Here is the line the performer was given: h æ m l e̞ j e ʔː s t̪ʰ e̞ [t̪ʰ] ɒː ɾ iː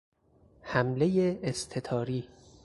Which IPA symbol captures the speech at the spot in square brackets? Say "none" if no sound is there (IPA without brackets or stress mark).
t̪ʰ